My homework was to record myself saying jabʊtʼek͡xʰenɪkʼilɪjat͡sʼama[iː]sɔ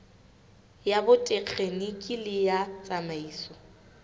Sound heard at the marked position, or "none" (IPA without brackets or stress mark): iː